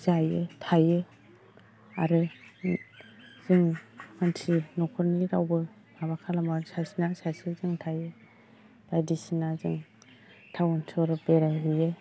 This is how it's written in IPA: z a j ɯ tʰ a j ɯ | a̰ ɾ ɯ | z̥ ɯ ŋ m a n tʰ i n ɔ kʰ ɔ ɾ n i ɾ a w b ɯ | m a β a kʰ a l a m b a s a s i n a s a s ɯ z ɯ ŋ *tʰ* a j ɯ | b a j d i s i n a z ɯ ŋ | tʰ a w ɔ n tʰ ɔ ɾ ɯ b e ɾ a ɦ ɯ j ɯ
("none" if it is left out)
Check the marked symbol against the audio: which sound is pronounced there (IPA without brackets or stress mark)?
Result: tʰ